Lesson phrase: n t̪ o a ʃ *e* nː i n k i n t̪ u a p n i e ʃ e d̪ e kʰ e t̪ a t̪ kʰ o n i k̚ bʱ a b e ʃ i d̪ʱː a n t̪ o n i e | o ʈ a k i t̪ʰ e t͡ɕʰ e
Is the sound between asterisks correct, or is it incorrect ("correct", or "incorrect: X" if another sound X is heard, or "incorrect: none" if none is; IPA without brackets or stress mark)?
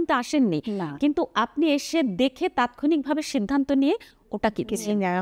correct